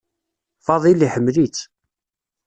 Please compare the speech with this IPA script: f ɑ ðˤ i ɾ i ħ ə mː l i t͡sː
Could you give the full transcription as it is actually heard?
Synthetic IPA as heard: f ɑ ðˤ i l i ħ ə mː l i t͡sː